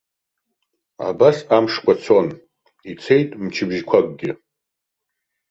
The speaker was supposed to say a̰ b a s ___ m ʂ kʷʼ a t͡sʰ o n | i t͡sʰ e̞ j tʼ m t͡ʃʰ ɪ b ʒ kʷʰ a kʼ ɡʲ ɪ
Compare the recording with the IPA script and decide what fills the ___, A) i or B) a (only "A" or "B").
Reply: B